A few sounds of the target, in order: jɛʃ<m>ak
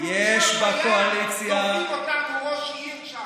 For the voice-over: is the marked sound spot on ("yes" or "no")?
no